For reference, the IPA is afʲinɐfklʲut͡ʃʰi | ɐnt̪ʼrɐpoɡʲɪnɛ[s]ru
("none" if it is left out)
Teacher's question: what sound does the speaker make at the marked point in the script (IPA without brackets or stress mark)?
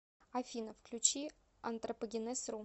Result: s